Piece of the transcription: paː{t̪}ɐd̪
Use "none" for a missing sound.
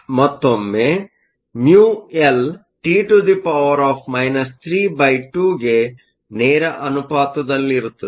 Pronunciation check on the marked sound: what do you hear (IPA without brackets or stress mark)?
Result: t̪